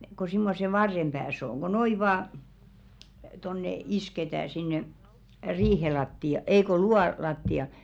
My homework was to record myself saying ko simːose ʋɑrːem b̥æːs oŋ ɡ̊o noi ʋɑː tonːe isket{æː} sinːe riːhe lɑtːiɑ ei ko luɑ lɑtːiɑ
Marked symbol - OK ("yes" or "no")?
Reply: yes